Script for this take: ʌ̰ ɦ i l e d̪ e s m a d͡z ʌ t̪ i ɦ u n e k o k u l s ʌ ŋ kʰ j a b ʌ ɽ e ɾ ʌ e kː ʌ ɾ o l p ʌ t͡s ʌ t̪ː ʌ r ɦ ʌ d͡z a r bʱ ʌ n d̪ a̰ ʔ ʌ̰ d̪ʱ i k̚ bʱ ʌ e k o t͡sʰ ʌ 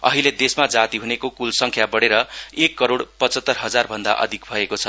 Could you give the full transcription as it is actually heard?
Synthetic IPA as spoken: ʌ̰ ɦ i l e d̪ e s m a d͡z a t̪ i ɦ u n e k o k u l s ʌ ŋ kʰ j a b ʌ ɽ e ɾ ʌ e kː ʌ ɾ o ɽ p ʌ t͡s ʌ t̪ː ʌ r ɦ ʌ d͡z a r bʱ ʌ n d̪ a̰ ʔ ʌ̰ d̪ʱ i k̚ bʱ ʌ e k o t͡sʰ ʌ